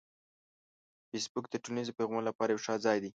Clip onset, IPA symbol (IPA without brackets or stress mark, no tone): f